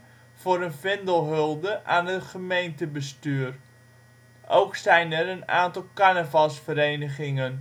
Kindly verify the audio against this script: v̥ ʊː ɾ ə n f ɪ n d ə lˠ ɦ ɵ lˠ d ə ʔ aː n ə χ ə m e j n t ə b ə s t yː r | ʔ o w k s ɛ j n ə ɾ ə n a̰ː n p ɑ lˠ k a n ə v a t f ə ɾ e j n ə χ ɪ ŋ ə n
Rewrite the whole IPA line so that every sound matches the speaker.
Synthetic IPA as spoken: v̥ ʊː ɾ ə n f ɪ n d ə lˠ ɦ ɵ lˠ d ə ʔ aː n ə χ ə m e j n t ə b ə s t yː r | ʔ o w k s ɛ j n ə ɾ ə n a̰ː n t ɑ lˠ k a n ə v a s f ə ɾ e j n ə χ ɪ ŋ ə n